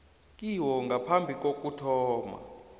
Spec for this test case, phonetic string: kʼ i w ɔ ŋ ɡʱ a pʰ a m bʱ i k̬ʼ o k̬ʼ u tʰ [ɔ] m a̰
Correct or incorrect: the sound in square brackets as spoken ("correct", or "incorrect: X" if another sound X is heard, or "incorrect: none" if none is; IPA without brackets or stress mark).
incorrect: ɔː